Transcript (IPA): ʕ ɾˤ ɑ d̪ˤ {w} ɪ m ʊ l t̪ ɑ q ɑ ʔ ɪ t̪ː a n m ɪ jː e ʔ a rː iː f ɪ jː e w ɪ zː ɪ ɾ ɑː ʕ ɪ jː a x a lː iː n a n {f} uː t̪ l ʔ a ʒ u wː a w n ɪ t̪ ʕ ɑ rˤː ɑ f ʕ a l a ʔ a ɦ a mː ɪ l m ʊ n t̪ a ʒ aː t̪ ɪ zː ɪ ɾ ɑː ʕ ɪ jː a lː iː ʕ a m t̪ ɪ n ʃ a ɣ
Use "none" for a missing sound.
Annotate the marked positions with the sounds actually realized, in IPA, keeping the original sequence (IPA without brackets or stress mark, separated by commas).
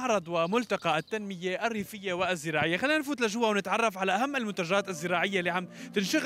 w, f